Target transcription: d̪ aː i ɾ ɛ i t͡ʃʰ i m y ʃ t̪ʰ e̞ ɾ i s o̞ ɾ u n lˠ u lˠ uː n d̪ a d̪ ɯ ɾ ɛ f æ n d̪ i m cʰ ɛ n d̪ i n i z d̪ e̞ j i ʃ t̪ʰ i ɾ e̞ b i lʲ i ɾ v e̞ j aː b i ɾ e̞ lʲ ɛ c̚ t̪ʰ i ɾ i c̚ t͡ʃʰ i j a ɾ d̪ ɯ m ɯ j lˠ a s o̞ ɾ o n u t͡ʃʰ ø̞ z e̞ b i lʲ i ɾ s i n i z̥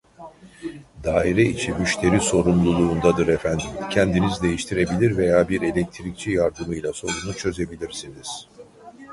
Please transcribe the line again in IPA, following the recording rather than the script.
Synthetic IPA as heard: d̪ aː i ɾ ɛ i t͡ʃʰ i m y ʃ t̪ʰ e̞ ɾ i s o̞ ɾ u m lˠ u lˠ uː n d̪ a d̪ ɯ ɾ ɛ f æ n d̪ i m cʰ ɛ n d̪ i n i z d̪ e̞ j i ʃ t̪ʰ i ɾ e̞ b i lʲ i ɾ v e̞ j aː b i ɾ e̞ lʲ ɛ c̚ t̪ʰ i ɾ i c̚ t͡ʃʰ i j a ɾ d̪ ɯ m ɯ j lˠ a s o̞ ɾ u n u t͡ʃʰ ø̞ z e̞ b i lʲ i ɾ s i n i z̥